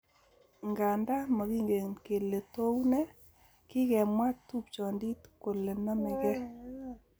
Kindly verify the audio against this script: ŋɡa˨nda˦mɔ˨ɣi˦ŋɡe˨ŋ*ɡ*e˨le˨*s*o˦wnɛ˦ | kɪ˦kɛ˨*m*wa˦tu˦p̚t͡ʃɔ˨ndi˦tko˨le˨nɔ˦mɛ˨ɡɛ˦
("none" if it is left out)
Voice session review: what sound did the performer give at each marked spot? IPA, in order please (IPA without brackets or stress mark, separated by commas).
k, t, m